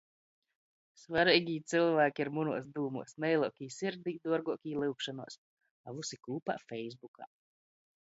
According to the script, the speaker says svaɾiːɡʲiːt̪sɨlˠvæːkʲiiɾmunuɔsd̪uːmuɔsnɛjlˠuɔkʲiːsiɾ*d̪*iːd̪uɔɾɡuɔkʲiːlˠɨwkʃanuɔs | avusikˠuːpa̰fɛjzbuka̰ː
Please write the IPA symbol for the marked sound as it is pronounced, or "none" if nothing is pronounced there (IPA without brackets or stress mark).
d̪